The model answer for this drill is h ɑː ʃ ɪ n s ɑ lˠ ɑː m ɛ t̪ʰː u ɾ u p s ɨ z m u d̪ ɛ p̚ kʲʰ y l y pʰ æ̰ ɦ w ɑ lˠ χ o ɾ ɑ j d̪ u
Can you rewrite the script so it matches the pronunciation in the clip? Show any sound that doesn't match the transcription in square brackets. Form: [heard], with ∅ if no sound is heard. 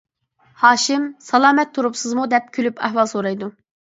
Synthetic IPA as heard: h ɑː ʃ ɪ [m] s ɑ lˠ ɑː m ɛ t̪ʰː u ɾ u p s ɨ z m u d̪ ɛ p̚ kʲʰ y l y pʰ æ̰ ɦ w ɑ lˠ [s] o ɾ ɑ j d̪ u